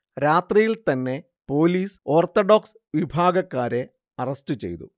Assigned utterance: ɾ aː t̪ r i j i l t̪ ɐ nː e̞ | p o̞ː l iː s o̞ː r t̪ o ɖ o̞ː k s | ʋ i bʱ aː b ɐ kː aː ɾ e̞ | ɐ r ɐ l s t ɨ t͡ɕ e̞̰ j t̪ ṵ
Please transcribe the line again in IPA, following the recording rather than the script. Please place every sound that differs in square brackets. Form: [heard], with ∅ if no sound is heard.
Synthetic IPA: ɾ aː t̪ r i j i l t̪ ɐ nː e̞ | p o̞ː l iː s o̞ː r t̪ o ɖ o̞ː k s | ʋ i bʱ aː [ɡ] ɐ kː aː ɾ e̞ | ɐ r ɐ [∅] s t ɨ t͡ɕ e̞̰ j t̪ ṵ